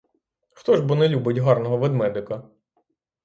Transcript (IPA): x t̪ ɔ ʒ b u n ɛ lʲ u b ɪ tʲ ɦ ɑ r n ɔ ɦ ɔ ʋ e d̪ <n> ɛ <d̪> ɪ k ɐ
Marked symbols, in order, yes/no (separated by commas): no, yes